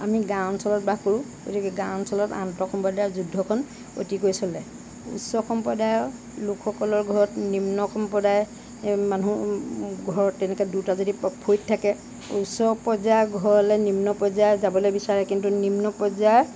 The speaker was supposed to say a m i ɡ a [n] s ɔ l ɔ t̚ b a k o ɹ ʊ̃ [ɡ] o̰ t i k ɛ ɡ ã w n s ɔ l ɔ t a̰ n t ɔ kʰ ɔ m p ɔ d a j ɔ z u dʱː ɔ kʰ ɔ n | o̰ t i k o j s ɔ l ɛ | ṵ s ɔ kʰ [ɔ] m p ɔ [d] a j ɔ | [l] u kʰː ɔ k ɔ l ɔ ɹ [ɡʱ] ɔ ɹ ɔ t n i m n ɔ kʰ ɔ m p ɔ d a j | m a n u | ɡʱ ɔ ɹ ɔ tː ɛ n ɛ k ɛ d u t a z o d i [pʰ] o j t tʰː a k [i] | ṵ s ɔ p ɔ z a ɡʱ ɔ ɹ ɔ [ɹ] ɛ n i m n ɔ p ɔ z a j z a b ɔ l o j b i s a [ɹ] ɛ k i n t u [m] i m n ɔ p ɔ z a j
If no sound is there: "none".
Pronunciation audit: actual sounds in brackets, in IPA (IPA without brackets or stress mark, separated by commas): n, ɡ, ɔ, d, l, ɡʱ, pʰ, ɛ, l, ɹ, n